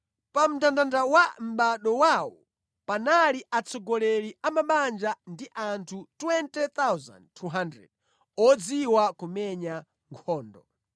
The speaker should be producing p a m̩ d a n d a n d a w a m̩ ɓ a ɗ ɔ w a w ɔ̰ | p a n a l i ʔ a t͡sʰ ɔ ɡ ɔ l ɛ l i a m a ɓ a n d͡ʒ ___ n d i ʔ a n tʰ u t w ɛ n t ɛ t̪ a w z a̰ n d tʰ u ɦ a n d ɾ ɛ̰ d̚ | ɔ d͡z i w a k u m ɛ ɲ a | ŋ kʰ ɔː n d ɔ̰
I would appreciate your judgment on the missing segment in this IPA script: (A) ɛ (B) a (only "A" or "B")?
B